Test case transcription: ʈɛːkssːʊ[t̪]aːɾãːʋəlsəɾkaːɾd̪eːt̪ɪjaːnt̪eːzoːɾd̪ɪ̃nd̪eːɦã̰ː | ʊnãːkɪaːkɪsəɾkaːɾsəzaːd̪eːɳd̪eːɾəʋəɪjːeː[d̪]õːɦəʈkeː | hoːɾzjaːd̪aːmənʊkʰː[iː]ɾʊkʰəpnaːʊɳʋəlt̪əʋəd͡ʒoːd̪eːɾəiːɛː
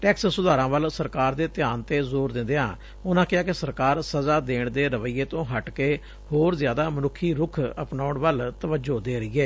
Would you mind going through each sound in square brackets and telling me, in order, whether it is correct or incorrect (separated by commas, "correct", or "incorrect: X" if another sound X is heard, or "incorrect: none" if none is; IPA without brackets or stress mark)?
incorrect: d̪, incorrect: t̪, correct